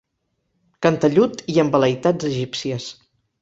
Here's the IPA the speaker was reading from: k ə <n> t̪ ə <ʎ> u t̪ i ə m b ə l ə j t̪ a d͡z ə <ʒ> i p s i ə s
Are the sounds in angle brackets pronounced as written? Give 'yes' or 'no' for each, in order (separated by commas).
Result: yes, yes, yes